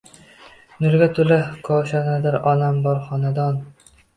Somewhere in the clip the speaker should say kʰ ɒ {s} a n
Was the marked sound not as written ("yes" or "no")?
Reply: yes